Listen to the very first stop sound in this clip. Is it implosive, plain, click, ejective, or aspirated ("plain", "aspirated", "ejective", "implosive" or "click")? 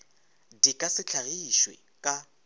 plain